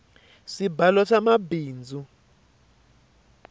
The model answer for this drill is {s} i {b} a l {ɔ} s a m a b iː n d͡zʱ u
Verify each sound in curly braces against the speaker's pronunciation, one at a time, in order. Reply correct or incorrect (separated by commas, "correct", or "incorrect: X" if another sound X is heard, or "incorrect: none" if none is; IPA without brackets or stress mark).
correct, correct, correct